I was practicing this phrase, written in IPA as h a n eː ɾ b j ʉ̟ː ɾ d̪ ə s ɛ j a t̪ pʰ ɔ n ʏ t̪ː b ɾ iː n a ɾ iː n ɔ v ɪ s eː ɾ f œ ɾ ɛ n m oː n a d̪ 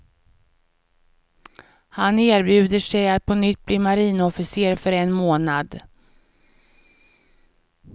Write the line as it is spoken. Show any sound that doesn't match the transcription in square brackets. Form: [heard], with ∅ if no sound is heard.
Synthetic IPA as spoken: h a n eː ɾ b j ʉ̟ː [∅] d̪ ə [ʂ] ɛ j a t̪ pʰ ɔ n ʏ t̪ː b [l] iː [m] a ɾ iː n ɔ [f] ɪ s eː ɾ f œ ɾ ɛ n m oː n a d̪